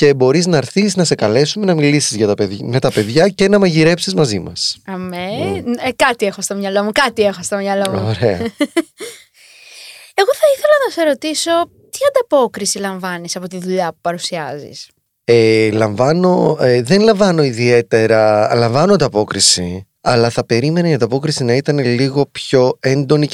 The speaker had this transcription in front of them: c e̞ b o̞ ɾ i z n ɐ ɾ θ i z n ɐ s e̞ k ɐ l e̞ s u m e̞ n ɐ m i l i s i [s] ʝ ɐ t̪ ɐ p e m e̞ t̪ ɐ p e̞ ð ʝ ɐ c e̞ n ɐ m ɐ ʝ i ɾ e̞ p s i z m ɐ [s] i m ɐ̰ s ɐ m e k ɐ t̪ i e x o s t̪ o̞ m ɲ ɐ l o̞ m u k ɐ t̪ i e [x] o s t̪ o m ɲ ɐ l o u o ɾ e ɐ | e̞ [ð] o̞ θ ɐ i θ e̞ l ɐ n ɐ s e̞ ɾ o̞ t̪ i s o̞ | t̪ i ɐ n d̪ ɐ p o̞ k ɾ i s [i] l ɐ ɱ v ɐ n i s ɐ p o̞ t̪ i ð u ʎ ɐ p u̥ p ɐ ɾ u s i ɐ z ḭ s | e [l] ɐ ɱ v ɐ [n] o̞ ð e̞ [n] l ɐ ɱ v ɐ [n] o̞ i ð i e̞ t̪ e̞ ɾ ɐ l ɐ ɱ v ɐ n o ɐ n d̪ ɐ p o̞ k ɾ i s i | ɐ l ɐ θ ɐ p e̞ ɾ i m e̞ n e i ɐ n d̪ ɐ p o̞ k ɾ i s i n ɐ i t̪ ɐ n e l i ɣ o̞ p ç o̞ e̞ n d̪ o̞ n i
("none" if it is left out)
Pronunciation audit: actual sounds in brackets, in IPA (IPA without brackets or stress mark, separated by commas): z, z, x, ɣ, i, l, n, n, n